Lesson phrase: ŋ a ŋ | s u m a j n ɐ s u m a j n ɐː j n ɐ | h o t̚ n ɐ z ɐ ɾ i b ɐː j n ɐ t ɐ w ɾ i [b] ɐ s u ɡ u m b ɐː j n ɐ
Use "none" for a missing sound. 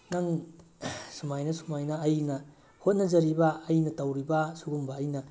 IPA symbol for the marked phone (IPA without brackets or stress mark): b